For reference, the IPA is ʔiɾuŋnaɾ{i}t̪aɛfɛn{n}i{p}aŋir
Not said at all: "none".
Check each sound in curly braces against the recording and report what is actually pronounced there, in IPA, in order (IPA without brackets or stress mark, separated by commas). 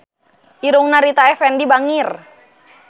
i, d, b